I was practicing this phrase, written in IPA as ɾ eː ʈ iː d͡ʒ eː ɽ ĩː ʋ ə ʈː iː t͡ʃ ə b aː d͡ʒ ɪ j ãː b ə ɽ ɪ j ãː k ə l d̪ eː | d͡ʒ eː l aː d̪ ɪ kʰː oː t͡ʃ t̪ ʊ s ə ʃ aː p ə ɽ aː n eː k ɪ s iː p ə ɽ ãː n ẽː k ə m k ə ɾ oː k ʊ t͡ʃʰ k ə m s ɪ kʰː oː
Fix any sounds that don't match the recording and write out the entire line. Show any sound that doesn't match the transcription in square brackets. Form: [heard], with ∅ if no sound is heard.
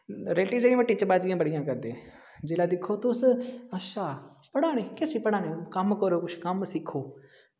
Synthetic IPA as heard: ɾ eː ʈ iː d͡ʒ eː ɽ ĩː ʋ ə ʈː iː t͡ʃ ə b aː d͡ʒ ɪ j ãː b ə ɽ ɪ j ãː k ə [ɾ] d̪ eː | d͡ʒ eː l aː d̪ ɪ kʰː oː [∅] t̪ ʊ s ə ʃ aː p ə ɽ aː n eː k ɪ s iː p ə ɽ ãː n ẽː k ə m k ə ɾ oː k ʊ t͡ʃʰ k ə m s ɪ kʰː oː